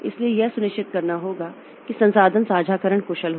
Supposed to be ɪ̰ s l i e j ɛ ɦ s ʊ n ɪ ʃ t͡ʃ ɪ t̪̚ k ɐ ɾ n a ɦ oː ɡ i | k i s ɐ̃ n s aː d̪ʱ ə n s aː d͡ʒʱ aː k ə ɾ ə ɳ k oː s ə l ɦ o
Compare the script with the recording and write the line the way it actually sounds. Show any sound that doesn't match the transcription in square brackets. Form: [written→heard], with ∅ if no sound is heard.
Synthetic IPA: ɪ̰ s l i e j ɛ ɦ s ʊ n ɪ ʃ t͡ʃ ɪ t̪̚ k ɐ ɾ n a ɦ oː ɡ [i→a] | k i s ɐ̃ n s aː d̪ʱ ə n s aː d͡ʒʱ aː k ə ɾ ə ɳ k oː [s→ʃ] ə l ɦ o